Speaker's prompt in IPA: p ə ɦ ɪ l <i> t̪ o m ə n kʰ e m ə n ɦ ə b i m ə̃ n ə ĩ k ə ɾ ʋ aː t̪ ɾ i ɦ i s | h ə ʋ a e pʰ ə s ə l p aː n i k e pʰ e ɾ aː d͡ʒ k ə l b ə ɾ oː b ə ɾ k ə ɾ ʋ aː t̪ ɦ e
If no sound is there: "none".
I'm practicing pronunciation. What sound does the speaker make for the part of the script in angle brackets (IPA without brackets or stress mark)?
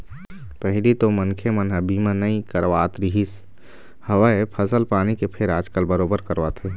i